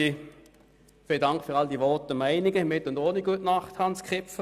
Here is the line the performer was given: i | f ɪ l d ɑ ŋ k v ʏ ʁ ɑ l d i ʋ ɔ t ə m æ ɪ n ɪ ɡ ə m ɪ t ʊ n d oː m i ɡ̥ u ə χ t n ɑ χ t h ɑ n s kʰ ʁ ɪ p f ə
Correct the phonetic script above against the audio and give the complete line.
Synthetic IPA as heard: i | f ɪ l d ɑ ŋ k f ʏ ʁ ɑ l d i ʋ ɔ t ə m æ ɪ n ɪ ɡ ə m ɪ t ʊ n d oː n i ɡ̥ u ə t n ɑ χ t h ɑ n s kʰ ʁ ɪ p f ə